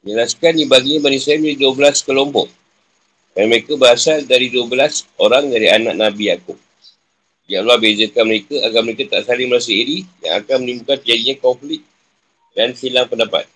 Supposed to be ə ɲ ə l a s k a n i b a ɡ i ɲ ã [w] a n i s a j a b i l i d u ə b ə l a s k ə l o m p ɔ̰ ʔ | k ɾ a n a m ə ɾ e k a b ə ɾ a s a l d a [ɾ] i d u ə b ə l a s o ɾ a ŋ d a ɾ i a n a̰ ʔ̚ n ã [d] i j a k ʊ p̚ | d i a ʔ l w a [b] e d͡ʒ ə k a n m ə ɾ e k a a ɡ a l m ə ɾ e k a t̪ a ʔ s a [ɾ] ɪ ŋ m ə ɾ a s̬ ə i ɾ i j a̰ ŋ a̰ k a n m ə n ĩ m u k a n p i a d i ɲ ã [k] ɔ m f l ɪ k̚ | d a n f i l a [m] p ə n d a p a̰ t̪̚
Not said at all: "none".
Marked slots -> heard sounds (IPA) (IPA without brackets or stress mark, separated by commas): b, ɾ, b, b, l, k, ŋ